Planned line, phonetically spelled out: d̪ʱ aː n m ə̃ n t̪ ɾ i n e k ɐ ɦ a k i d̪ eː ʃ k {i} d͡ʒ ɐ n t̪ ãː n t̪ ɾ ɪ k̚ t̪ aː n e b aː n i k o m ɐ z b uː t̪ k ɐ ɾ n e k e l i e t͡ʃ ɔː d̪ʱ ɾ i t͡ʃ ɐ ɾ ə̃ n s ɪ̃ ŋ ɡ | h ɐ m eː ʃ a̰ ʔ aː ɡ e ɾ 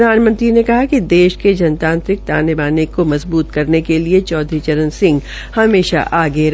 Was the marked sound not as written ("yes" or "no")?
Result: yes